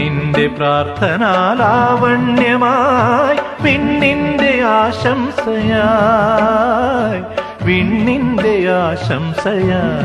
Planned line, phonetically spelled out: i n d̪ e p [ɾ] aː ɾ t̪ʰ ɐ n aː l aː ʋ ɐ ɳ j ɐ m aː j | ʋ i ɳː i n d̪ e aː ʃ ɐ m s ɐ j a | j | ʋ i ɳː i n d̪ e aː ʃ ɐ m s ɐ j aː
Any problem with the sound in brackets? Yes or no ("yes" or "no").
no